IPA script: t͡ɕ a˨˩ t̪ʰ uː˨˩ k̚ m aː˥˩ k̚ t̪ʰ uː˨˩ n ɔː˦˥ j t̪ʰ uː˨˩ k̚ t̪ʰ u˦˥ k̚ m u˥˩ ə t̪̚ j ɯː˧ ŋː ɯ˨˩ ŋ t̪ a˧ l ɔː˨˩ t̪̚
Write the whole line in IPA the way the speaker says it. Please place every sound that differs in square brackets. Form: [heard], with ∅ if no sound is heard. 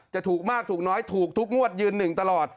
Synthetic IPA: t͡ɕ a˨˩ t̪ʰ uː˨˩ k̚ m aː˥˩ k̚ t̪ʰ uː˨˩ n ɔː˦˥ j t̪ʰ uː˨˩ k̚ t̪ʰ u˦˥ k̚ [ŋ] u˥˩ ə t̪̚ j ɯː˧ [nː] ɯ˨˩ ŋ t̪ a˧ l ɔː˨˩ t̪̚